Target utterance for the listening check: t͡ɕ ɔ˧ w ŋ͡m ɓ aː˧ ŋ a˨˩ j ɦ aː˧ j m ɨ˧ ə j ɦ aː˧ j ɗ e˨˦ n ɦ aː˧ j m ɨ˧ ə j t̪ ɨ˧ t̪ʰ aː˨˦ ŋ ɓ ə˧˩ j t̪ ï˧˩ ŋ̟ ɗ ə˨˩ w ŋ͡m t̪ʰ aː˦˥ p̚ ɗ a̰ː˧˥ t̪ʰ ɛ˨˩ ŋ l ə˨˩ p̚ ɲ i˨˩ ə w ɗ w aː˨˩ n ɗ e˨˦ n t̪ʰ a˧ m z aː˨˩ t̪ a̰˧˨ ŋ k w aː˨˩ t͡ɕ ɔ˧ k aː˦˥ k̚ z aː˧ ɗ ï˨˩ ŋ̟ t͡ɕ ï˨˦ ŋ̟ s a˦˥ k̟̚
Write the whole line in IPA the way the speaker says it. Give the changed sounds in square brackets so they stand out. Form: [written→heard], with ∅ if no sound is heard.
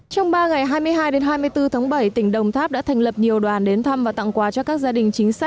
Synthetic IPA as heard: t͡ɕ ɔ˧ w ŋ͡m ɓ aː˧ ŋ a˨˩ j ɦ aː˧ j m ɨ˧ ə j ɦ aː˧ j ɗ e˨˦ n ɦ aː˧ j m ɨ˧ ə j t̪ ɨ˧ t̪ʰ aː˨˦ ŋ ɓ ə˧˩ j t̪ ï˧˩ ŋ̟ ɗ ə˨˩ w ŋ͡m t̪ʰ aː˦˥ p̚ ɗ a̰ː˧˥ t̪ʰ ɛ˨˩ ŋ l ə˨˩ p̚ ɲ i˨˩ ə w ɗ w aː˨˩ n ɗ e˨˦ n t̪ʰ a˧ m [z→v] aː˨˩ t̪ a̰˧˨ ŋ k w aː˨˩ t͡ɕ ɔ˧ k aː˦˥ k̚ z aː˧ ɗ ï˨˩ ŋ̟ t͡ɕ ï˨˦ ŋ̟ s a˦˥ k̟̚